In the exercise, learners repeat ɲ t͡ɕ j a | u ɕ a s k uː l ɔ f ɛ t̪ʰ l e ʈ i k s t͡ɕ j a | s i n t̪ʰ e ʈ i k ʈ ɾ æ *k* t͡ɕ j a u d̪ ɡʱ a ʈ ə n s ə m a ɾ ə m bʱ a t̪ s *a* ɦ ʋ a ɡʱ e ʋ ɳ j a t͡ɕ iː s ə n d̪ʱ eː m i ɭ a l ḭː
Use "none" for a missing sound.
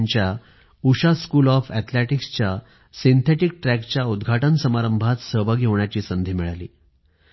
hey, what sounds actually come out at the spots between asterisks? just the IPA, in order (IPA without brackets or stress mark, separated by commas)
k, ə